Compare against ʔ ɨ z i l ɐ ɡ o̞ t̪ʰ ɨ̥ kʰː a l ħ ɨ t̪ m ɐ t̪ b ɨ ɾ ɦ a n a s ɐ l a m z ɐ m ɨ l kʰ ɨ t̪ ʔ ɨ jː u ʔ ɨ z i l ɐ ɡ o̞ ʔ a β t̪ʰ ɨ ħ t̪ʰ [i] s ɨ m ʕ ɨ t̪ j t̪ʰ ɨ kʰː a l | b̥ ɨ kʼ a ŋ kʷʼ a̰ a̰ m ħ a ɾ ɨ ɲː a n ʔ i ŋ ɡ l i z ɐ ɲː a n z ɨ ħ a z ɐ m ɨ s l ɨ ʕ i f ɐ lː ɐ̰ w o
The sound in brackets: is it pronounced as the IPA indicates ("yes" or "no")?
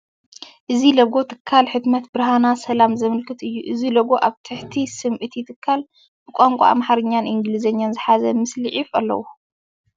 yes